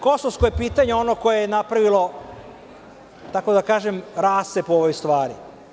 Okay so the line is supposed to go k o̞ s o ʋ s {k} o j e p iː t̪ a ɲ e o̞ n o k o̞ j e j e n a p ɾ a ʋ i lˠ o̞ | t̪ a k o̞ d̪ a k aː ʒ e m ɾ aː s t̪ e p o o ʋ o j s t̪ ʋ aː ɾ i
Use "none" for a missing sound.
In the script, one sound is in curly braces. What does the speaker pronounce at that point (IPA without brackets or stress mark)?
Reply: k